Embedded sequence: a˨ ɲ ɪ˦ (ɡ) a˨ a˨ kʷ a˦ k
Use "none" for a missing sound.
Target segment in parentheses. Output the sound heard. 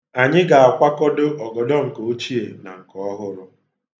ɡ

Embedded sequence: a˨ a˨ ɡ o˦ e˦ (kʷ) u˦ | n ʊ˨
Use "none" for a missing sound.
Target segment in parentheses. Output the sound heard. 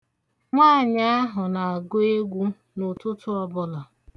ɡʷ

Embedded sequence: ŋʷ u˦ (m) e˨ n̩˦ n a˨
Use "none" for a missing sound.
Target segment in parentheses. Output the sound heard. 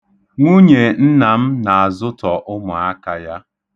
ɲ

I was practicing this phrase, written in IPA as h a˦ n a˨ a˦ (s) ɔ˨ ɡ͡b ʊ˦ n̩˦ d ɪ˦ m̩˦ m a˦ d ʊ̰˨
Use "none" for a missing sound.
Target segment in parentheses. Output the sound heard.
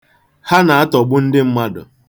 t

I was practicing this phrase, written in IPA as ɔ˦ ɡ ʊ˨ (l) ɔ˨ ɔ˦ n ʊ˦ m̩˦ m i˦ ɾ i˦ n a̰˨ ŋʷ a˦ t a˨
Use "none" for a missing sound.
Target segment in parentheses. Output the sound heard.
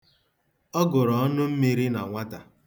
ɾ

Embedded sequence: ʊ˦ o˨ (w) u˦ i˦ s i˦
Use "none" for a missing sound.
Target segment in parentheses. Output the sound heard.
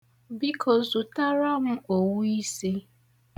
w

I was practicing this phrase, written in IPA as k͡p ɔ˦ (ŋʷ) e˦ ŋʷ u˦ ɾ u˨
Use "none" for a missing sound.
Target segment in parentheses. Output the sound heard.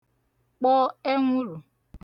none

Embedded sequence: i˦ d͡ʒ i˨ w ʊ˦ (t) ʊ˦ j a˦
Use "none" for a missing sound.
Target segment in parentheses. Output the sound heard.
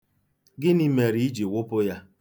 p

